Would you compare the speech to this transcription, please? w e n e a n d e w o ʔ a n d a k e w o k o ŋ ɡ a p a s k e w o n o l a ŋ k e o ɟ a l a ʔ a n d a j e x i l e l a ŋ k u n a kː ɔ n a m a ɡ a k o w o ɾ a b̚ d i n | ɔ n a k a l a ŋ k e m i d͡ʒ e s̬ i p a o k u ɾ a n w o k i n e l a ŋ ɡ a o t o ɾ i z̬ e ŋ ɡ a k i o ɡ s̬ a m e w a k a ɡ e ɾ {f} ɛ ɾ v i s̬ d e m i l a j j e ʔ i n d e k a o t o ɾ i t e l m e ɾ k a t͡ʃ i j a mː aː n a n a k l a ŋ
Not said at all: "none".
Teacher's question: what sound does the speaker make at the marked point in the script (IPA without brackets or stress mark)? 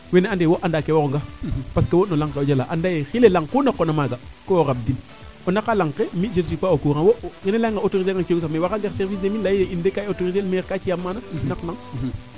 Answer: s